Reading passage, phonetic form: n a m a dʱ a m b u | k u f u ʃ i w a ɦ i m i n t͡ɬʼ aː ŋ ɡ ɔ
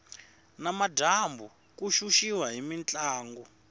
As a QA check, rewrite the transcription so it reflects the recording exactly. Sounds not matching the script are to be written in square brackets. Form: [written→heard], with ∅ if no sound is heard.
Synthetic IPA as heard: n a m a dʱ a m b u | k u [f→ʃ] u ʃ i w a ɦ i m i n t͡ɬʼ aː ŋ ɡ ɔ